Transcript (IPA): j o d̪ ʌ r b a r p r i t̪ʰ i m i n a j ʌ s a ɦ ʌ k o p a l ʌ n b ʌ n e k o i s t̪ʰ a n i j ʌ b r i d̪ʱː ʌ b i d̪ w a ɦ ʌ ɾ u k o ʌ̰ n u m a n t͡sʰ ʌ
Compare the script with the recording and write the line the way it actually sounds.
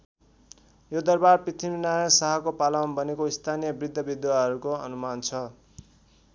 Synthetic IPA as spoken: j o d̪ ʌ r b a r p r i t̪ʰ i m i n a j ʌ s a ɦ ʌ k o p a l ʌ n b ʌ n e k o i s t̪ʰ a n i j ʌ b r i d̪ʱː ʌ b i d̪ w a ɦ ʌ ɾ u k o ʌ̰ n u m a n t͡sʰ ʌ